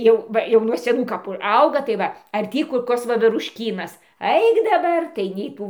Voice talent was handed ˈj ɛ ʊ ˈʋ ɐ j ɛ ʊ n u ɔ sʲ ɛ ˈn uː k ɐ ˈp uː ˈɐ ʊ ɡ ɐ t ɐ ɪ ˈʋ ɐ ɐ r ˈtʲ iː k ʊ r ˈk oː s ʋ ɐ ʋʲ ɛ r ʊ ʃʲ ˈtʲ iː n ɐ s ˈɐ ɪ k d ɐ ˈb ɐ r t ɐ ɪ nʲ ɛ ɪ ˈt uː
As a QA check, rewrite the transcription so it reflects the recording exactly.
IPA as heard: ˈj ɛ ʊ ˈʋ ɐ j ɛ ʊ n u ɔ sʲ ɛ ˈn uː k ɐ ˈp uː ˈɐ ʊ ɡ ɐ t ɐ ɪ ˈʋ ɐ ɐ r ˈtʲ iː k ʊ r ˈk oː s ʋ ɐ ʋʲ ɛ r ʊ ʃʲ ˈkʲ iː n ɐ s ˈɐ ɪ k d ɐ ˈb ɐ r t ɐ ɪ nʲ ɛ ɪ ˈt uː